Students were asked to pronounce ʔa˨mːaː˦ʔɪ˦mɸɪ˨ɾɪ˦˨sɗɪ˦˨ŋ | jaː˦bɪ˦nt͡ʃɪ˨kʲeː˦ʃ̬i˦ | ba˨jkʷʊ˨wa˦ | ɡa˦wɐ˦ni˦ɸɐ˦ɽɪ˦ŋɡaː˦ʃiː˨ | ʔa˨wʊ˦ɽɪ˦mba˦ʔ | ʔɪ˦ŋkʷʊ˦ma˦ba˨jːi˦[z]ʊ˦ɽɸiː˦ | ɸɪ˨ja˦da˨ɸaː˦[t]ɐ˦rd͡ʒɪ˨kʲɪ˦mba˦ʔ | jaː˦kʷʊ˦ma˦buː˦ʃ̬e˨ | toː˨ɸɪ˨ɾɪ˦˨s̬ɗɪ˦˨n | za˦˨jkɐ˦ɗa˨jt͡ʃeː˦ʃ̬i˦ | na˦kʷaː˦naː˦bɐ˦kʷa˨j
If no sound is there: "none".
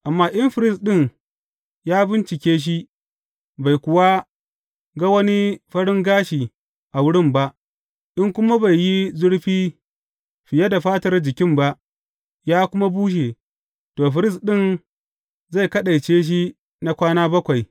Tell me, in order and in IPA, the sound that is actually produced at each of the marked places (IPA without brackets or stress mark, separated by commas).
z, t